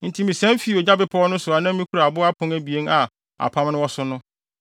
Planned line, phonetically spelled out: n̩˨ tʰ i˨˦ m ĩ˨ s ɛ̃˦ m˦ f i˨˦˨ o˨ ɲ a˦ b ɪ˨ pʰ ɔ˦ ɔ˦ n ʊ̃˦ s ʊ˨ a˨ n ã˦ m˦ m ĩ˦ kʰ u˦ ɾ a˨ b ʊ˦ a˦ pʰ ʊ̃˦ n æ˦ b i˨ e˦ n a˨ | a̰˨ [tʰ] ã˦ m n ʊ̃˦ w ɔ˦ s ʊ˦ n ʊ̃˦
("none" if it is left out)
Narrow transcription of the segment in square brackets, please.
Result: pʰ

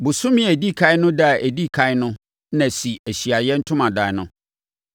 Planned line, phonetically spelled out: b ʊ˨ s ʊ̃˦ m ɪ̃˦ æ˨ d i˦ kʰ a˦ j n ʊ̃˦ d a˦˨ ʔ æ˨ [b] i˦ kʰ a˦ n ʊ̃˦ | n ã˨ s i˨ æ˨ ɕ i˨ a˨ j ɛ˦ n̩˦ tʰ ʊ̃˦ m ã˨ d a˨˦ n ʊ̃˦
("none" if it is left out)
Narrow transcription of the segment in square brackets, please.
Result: d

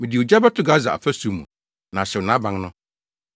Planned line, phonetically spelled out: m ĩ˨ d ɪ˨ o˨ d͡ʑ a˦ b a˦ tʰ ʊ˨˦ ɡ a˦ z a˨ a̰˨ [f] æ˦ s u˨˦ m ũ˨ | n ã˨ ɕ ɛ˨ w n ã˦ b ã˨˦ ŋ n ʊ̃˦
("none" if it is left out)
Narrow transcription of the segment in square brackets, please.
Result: f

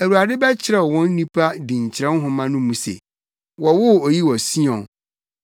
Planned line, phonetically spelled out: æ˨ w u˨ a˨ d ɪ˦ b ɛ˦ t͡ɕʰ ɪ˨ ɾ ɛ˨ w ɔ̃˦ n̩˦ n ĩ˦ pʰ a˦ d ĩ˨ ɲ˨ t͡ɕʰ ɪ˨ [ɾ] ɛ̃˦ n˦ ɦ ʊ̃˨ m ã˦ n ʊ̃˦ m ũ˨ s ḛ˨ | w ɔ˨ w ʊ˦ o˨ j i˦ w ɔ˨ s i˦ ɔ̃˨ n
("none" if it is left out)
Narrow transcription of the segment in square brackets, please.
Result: ɾ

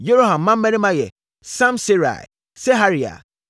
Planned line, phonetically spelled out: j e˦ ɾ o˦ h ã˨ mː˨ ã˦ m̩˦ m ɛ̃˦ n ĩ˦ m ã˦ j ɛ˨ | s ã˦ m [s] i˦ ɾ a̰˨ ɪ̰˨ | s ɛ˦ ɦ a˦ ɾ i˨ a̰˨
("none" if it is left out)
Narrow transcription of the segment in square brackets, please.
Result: s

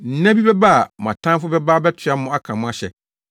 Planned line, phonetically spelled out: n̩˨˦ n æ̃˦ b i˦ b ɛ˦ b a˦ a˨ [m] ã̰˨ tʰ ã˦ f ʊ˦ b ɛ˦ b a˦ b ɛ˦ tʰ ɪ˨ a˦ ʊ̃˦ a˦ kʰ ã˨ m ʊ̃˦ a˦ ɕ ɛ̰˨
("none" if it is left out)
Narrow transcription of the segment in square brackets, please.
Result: m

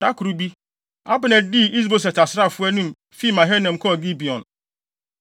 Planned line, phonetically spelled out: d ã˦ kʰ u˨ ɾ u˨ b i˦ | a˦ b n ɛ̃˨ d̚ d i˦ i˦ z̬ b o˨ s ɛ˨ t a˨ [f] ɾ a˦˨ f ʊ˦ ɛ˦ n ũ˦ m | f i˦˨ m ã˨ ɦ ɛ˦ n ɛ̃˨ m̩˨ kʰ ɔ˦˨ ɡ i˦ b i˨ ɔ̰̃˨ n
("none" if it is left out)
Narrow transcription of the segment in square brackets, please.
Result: s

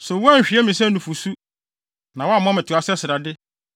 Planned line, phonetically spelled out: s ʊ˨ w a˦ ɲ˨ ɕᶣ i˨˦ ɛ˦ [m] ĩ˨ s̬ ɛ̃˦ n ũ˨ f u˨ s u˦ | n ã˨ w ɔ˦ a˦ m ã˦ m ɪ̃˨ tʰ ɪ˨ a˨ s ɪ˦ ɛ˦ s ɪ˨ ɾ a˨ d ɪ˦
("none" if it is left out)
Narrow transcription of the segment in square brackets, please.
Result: m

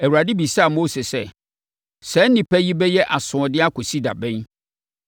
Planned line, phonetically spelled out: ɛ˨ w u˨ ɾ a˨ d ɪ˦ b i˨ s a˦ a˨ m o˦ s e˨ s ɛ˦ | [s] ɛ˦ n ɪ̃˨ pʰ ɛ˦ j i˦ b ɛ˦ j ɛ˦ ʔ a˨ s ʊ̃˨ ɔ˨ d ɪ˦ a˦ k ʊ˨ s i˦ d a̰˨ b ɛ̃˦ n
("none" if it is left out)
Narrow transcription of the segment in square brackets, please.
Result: s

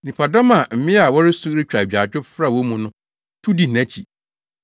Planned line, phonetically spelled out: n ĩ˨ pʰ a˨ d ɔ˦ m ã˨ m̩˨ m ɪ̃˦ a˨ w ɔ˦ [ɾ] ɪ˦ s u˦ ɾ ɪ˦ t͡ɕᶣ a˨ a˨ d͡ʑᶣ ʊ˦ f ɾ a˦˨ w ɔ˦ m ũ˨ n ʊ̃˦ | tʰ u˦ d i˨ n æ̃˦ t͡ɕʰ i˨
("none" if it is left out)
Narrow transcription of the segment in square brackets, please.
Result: ɾ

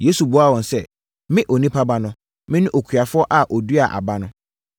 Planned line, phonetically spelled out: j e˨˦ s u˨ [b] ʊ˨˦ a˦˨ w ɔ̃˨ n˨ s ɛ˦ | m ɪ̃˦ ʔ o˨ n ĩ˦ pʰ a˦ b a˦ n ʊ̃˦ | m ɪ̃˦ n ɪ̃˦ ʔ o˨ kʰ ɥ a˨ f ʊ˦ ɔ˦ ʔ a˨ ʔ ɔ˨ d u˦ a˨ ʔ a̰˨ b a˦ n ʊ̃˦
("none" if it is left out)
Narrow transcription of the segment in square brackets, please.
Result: b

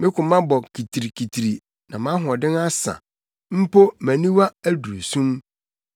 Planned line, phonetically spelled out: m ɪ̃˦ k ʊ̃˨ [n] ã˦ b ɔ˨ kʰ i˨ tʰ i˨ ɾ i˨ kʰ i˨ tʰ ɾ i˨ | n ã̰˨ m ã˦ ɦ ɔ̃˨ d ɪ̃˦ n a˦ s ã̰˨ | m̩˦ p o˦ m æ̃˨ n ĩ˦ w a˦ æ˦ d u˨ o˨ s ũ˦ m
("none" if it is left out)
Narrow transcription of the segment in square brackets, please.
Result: m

